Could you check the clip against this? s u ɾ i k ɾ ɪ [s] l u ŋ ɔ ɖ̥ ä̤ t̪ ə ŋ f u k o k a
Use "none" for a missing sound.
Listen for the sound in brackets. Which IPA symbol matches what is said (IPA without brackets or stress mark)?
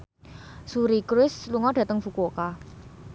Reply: s